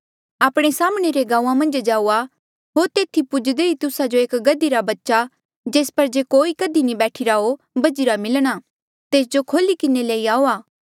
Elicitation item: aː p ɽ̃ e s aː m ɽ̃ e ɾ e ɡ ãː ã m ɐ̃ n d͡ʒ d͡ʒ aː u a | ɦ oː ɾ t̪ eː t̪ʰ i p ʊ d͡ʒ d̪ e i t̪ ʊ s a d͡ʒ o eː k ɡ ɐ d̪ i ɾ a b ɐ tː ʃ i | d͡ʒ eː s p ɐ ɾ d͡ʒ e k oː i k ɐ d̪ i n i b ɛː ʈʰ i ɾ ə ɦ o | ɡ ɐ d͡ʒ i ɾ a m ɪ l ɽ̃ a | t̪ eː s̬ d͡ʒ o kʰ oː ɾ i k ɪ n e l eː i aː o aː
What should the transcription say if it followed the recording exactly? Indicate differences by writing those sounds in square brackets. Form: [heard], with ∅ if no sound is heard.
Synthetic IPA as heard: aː p ɽ̃ e s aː m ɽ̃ e ɾ e ɡ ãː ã m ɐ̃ n d͡ʒ d͡ʒ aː u a | ɦ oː ɾ t̪ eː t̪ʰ i p ʊ d͡ʒ d̪ e i t̪ ʊ s a d͡ʒ o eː k ɡ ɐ d̪ i ɾ a b ɐ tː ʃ [a] | d͡ʒ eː s p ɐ ɾ d͡ʒ e k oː i k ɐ d̪ i n i b ɛː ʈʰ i ɾ [a] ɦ o | [b] ɐ d͡ʒ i ɾ a m ɪ l ɽ̃ a | t̪ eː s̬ d͡ʒ o kʰ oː [l] i k ɪ n e l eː i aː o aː